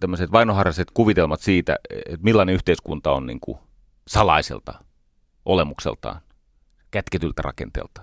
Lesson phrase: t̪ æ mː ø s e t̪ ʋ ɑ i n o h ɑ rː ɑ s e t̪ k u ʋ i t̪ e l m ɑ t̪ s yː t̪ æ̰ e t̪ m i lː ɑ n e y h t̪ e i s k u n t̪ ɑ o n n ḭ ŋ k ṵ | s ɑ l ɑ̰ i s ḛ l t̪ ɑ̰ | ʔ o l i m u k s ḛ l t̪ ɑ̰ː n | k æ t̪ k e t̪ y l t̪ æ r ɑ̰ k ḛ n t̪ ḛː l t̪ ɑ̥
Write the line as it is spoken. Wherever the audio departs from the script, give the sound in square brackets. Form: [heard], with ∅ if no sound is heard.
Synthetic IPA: t̪ æ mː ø s e t̪ ʋ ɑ i n o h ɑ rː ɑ s e t̪ k u ʋ i t̪ e l m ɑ t̪ s [iː] t̪ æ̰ e t̪ m i lː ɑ n e y h t̪ e i s k u n t̪ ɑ o n n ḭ ŋ k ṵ | s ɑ l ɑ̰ i s ḛ l t̪ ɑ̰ | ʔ o l [e] m u k s ḛ l t̪ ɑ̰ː n | k æ t̪ k e t̪ y l t̪ æ r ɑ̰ k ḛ n t̪ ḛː l t̪ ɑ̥